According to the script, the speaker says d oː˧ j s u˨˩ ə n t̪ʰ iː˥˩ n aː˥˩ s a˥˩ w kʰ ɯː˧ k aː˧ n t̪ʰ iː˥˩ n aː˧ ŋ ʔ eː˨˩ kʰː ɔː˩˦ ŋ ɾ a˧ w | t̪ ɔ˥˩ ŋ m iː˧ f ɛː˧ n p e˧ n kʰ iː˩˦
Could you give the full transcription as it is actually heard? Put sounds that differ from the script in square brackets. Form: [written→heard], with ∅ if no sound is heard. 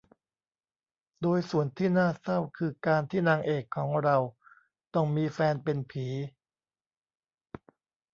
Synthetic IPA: d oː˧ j s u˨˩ ə n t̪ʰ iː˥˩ n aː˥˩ s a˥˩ w kʰ ɯː˧ k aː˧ n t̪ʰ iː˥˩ n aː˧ ŋ ʔ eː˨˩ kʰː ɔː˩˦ ŋ ɾ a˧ w | t̪ ɔ˥˩ ŋ m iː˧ f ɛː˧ n p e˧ n [kʰ→pʰ] iː˩˦